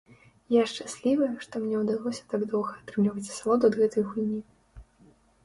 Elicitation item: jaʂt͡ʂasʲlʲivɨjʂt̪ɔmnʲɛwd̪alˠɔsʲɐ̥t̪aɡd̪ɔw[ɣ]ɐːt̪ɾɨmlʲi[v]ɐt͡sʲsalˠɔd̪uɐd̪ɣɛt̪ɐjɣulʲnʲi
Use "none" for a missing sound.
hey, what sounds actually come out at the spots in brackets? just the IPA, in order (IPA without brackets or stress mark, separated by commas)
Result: ɣ, v